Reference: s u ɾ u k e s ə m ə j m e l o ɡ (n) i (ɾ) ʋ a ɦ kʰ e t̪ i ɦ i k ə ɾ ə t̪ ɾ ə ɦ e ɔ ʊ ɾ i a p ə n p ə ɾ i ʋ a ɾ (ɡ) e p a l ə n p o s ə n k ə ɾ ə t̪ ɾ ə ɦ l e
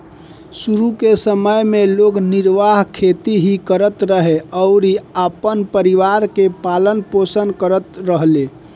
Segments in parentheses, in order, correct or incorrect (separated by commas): correct, correct, incorrect